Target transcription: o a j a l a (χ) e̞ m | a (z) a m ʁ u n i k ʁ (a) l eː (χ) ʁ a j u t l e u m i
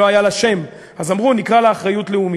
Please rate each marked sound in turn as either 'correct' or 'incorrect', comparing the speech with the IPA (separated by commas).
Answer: incorrect, correct, correct, correct